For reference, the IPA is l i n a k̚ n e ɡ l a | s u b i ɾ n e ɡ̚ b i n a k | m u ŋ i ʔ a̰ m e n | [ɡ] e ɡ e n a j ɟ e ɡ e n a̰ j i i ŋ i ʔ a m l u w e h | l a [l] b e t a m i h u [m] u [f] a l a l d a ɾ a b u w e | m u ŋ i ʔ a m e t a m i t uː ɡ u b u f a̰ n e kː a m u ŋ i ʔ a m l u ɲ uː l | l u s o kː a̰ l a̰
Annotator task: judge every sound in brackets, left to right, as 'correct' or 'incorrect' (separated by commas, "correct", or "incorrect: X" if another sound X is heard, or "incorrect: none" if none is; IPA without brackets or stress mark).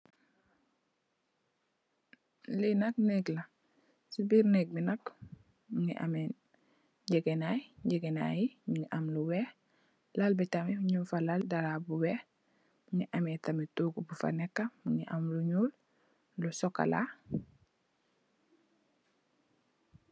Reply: incorrect: ɟ, correct, incorrect: ɲ, correct